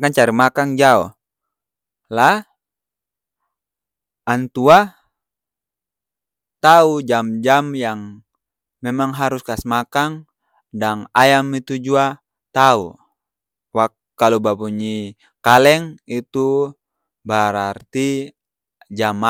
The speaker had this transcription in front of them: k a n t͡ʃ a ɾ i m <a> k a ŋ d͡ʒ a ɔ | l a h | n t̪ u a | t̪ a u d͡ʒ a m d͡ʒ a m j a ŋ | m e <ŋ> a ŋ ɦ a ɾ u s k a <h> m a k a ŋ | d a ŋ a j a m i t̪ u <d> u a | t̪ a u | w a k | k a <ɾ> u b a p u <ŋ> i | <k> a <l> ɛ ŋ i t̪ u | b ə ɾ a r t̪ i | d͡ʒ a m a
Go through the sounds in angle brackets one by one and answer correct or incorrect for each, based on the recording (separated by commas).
correct, incorrect, incorrect, incorrect, incorrect, incorrect, correct, correct